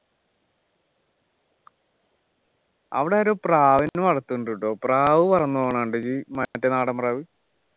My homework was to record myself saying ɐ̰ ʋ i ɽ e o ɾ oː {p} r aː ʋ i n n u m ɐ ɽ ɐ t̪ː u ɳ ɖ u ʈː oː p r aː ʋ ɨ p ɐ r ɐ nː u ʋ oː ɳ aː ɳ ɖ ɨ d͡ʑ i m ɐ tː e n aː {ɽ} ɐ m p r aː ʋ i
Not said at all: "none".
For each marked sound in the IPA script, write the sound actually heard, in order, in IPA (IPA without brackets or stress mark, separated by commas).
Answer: p, ɽ